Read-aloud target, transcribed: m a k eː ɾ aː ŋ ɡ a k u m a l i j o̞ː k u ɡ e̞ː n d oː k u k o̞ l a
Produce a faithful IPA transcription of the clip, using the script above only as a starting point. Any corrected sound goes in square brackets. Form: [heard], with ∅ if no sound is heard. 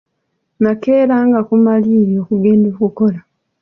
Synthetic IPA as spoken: [n] a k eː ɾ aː ŋ ɡ a k u m a l i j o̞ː k u ɡ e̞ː n d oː k u k o̞ l a